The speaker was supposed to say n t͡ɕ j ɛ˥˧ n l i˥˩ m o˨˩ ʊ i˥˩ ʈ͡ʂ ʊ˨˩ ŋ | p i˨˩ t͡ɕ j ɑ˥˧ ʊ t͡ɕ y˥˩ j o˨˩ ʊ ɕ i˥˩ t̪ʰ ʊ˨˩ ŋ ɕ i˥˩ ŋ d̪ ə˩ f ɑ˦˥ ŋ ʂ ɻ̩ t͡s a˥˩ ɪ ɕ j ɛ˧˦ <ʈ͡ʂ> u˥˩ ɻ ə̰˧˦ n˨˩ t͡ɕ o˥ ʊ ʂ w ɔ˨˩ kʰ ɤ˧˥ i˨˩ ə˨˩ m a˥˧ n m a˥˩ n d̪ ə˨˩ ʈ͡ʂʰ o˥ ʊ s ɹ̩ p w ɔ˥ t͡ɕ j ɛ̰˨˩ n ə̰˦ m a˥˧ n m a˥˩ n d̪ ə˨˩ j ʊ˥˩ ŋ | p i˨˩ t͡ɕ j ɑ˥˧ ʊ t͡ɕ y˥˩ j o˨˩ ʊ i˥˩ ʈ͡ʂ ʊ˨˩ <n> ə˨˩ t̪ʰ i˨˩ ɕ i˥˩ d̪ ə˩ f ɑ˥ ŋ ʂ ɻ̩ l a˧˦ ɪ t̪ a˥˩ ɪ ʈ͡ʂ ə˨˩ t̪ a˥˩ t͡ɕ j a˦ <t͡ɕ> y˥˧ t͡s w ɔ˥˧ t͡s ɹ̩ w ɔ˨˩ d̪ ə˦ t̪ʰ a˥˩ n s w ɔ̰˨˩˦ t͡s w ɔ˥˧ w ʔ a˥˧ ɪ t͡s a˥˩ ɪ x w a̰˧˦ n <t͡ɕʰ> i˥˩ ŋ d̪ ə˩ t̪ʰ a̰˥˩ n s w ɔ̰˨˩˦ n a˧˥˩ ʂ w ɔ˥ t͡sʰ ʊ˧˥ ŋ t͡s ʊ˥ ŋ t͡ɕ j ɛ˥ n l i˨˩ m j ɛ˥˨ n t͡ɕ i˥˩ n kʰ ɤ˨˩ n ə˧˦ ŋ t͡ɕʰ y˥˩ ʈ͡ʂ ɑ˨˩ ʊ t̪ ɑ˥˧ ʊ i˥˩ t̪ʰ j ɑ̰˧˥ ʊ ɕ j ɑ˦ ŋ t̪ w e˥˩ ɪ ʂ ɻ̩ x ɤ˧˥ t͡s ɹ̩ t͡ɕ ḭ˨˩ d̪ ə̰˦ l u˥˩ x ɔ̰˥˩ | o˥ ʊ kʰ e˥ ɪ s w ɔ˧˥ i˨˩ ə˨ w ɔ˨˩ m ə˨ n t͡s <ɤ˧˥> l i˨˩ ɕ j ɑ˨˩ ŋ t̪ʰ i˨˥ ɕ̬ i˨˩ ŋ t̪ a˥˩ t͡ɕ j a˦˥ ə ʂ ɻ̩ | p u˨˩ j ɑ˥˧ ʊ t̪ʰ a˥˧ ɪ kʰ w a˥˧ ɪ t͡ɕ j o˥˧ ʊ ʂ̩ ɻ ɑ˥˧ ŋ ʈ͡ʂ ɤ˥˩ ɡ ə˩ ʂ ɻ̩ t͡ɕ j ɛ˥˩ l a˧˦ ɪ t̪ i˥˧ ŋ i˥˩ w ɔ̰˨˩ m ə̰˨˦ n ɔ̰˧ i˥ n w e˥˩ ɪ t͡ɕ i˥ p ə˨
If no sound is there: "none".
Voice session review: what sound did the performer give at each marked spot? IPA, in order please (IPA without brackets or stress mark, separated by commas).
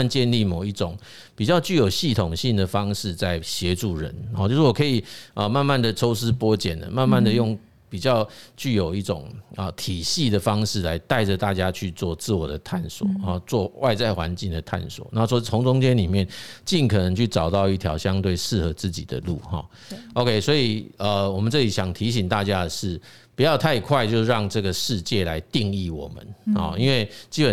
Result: ʈ͡ʂ, ŋ, t͡ɕʰ, t͡ɕ, ɤ˥˩